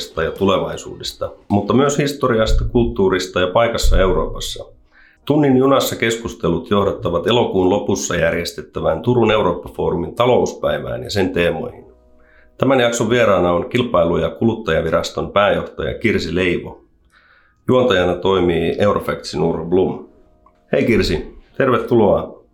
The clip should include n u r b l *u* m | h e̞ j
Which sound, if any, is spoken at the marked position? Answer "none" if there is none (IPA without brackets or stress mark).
u